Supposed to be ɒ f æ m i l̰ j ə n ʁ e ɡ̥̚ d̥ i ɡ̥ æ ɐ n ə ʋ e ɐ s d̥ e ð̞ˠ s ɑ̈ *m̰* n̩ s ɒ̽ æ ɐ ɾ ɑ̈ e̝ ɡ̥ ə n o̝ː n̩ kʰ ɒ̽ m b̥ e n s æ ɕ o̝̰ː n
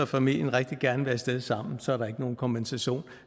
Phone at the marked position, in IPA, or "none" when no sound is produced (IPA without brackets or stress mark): m̰